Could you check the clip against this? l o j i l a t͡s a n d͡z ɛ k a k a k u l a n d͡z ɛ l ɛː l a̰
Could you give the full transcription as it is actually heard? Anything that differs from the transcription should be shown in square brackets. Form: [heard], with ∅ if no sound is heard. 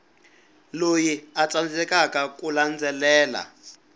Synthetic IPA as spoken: l o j i [∅] a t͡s a n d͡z ɛ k a k a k u l a n d͡z ɛ l ɛː l a̰